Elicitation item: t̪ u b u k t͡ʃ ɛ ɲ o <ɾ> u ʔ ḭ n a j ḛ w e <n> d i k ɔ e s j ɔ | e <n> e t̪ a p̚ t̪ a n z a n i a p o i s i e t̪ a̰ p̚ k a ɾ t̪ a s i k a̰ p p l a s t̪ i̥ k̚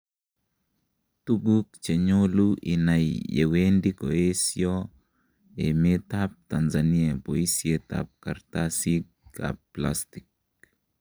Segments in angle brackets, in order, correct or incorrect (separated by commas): incorrect, correct, incorrect